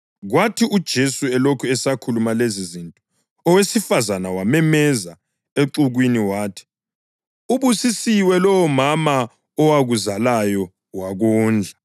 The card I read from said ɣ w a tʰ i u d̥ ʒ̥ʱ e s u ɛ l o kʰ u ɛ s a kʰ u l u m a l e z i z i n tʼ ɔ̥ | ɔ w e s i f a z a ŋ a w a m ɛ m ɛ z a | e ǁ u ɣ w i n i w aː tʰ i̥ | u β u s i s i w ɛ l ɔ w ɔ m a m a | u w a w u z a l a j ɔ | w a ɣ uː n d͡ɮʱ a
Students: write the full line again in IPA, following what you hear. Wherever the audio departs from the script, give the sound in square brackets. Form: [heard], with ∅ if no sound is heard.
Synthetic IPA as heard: ɣ w a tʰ i u d̥ ʒ̥ʱ e s u ɛ l o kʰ u ɛ s a kʰ u l u m a l e z i z i n tʼ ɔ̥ | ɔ w e s i f a z a [n] a w a m ɛ m ɛ z a | e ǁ u ɣ w i n i w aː tʰ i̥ | u β u s i s i w ɛ l ɔ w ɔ m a m a | [ɔ] w a [ɣ] u z a l a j ɔ | w a ɣ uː n d͡ɮʱ a